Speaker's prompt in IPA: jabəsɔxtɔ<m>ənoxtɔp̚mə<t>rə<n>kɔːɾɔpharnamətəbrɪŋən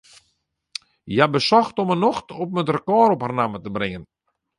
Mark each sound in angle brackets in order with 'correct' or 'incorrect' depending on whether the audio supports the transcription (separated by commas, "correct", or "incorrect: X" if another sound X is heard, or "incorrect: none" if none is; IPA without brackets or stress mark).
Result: correct, correct, incorrect: none